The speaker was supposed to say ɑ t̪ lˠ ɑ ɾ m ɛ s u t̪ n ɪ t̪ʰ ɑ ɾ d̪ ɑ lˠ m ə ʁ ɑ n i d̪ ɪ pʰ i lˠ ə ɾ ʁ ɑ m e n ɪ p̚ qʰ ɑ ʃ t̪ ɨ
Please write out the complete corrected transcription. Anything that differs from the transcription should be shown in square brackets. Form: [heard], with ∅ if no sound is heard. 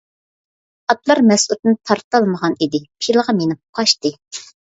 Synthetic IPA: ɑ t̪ lˠ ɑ ɾ m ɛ s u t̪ n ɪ t̪ʰ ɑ ɾ [t̪] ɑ lˠ m ə ʁ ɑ n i d̪ ɪ pʰ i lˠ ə [∅] ʁ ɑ m e n ɪ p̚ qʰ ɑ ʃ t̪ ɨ